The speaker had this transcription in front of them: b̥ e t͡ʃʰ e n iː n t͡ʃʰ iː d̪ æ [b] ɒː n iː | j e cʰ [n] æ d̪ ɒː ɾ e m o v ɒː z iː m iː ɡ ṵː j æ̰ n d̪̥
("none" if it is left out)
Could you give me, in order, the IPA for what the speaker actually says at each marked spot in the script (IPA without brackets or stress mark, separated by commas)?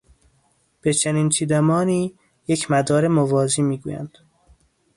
m, m